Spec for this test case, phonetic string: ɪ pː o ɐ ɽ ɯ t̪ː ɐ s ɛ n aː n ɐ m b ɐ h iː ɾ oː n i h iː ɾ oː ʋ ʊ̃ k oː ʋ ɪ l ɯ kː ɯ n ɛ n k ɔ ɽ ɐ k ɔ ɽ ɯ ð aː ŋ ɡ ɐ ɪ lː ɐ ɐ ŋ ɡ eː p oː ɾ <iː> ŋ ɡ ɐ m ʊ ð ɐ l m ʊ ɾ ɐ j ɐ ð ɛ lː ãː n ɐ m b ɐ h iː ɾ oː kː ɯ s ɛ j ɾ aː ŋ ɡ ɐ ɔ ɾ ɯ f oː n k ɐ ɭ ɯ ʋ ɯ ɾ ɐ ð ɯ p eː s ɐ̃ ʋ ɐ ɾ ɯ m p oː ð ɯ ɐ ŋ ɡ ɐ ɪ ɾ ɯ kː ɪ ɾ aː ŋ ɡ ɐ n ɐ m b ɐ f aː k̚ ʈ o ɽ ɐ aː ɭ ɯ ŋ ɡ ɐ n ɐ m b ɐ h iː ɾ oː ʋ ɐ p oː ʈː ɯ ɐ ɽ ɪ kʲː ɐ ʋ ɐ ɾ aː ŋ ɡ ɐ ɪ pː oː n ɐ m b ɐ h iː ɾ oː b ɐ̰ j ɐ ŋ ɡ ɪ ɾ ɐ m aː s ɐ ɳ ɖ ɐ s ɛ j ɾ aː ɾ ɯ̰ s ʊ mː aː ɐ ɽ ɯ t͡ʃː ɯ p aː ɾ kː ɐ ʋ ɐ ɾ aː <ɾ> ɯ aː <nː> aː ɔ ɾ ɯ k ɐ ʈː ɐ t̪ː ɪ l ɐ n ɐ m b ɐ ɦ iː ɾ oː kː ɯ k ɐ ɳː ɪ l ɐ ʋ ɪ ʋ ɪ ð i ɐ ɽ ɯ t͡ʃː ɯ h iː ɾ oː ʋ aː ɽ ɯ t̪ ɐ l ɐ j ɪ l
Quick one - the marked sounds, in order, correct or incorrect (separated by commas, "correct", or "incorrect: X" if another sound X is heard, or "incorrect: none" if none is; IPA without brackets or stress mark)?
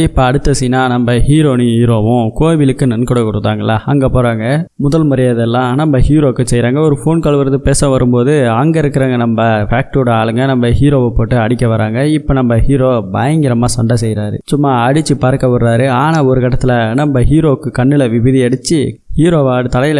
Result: incorrect: aː, correct, incorrect: n